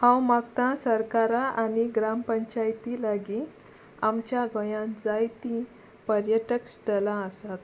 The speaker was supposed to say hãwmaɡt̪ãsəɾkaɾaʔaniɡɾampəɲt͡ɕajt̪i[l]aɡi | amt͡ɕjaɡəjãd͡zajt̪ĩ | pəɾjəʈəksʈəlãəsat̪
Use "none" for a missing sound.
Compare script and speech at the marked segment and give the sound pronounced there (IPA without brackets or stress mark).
l